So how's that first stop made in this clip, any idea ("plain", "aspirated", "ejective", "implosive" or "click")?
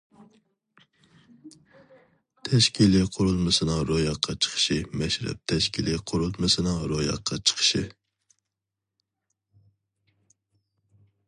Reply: aspirated